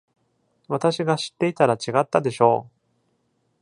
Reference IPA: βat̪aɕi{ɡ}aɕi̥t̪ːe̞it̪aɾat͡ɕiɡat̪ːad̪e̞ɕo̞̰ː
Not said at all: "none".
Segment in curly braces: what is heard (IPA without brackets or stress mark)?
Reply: ɡ